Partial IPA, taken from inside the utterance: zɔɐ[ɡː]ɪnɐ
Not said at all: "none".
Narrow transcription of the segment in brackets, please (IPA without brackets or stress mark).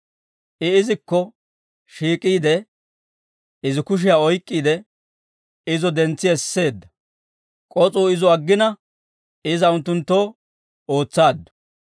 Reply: ɡː